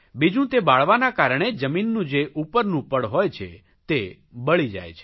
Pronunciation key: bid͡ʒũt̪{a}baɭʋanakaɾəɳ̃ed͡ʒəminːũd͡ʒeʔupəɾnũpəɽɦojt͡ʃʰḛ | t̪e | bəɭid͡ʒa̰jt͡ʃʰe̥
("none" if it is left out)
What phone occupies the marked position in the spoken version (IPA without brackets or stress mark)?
e